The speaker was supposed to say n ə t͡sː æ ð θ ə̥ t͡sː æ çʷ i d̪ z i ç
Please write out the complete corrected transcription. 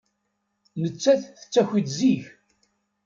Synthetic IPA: n ə t͡sː æ θ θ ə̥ t͡sː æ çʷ i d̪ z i ç